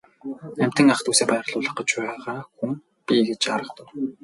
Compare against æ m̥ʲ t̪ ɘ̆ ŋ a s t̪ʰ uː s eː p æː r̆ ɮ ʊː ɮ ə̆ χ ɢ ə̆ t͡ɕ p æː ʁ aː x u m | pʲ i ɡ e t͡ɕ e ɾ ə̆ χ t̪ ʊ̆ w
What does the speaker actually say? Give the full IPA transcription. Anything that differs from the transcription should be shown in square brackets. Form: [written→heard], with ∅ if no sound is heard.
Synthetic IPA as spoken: æ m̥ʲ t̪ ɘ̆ ŋ a [s→χ] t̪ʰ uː s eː p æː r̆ ɮ ʊː ɮ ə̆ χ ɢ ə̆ t͡ɕ p æː ʁ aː x u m | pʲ i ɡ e t͡ɕ [e→a] ɾ ə̆ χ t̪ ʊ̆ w